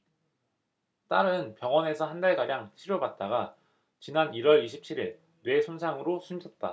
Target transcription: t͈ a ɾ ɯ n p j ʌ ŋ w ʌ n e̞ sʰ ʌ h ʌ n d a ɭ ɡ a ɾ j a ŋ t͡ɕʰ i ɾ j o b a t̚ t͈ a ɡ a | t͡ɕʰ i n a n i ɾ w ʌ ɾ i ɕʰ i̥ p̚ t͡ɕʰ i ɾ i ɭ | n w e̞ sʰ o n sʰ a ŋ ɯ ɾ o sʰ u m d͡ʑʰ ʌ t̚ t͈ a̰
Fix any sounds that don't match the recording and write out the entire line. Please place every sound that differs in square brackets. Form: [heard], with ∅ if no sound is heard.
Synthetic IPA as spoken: t͈ a ɾ ɯ n p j ʌ ŋ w ʌ n e̞ sʰ ʌ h [a] n d a ɭ ɡ a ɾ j a ŋ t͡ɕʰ i ɾ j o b a t̚ t͈ a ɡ a | [t͡ɕ] i n a n i ɾ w ʌ ɾ i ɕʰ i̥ p̚ t͡ɕʰ i ɾ i ɭ | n w e̞ sʰ o n sʰ a ŋ ɯ ɾ o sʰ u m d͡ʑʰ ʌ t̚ t͈ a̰